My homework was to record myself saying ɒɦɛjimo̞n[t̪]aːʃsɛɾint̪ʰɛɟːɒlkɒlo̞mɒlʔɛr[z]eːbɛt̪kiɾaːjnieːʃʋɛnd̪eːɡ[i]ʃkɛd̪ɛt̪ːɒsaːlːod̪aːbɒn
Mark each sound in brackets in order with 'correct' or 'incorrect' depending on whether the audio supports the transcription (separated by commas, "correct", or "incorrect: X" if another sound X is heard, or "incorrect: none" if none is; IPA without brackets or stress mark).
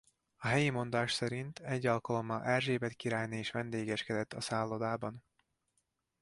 incorrect: d̪, incorrect: ʒ, incorrect: ɛ